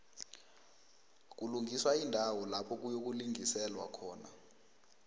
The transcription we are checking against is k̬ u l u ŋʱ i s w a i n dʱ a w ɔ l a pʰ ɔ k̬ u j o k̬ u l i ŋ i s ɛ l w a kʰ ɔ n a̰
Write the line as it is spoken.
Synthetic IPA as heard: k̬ u l u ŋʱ i s w a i n dʱ a w ɔ l a pʰ ɔ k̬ u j o k̬ u l i ŋ i s ɛ l w a kʰ ɔː n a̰